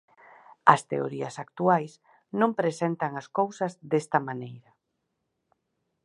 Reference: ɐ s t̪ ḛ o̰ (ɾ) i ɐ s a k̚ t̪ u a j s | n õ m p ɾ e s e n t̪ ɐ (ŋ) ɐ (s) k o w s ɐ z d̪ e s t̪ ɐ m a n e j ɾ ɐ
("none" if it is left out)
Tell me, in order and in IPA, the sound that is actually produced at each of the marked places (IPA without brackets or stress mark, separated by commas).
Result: ɾ, ŋ, s